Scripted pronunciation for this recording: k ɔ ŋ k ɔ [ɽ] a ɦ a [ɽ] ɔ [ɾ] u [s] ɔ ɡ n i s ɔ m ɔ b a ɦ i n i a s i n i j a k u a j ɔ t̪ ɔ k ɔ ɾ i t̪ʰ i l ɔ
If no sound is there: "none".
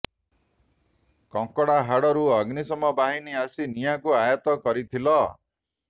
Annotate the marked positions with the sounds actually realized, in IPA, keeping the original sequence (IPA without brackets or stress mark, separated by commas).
ɽ, ɽ, ɾ, none